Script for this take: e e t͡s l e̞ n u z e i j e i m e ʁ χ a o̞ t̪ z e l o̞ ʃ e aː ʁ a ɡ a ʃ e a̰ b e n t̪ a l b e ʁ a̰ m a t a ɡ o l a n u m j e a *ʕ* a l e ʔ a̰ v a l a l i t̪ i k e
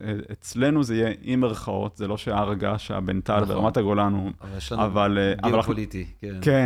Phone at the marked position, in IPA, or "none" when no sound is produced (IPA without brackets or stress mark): v